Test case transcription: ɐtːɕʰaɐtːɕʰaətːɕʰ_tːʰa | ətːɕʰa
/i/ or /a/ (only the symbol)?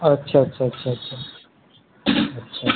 a